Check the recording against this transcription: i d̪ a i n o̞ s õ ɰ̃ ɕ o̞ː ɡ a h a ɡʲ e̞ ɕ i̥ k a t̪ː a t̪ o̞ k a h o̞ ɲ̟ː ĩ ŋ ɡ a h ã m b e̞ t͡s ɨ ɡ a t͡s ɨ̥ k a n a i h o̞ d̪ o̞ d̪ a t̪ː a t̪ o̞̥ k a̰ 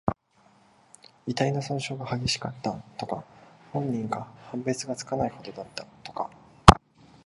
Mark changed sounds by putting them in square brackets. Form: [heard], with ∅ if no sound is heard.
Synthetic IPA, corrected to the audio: i [t̪] a i n o̞ s õ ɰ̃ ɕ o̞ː ɡ a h a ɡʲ e̞ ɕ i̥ k a t̪ː a t̪ o̞ k a h [õ̞] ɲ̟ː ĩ ŋ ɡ a h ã m b e̞ t͡s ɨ ɡ a t͡s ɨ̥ k a n a i h o̞ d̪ o̞ d̪ a t̪ː a t̪ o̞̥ k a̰